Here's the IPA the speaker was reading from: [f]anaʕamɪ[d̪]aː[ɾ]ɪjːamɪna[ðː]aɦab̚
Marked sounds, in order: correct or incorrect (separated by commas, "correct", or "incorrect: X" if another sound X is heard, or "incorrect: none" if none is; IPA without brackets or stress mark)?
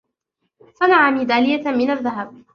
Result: incorrect: s, correct, incorrect: l, correct